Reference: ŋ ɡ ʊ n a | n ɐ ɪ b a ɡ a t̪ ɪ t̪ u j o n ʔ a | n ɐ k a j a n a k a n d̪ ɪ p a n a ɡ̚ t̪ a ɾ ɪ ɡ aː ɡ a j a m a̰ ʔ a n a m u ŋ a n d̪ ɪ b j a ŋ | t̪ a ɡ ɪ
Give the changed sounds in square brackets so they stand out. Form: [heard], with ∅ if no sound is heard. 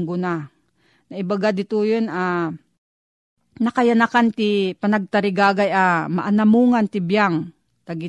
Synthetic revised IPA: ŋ ɡ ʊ n a | n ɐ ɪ b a ɡ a [d̪] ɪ t̪ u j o n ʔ a | n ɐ k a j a n a k a n [t̪] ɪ p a n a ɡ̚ t̪ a ɾ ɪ ɡ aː ɡ a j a m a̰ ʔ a n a m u ŋ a n [t̪] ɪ b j a ŋ | t̪ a ɡ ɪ